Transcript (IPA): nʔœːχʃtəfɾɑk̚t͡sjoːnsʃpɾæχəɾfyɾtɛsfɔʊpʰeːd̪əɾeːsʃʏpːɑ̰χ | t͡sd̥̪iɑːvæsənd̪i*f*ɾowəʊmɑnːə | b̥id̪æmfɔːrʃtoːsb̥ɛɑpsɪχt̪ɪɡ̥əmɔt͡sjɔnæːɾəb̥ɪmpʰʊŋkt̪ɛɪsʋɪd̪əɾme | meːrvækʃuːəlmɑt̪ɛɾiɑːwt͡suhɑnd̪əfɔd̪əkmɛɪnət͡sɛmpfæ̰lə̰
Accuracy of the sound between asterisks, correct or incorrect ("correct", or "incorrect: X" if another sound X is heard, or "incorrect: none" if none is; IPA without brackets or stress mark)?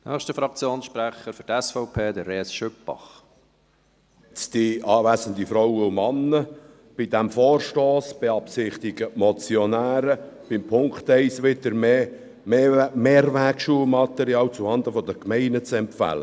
correct